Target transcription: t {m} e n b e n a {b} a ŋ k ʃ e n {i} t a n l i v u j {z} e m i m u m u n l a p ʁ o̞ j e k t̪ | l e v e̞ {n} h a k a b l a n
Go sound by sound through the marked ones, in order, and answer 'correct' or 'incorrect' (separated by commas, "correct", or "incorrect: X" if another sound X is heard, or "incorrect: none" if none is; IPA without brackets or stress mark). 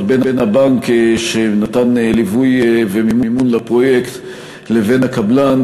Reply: incorrect: b, correct, incorrect: a, incorrect: v, correct